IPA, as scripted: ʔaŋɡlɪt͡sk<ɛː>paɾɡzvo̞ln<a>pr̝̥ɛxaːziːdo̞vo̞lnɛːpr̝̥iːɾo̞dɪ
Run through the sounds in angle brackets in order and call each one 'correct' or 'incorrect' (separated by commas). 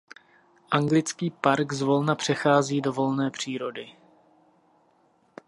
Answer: incorrect, correct